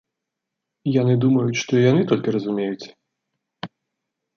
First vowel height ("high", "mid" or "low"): low